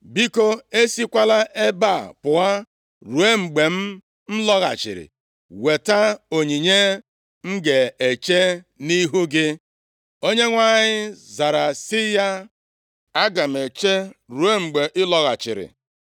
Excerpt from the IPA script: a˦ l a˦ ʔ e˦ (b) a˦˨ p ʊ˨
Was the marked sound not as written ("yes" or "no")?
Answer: no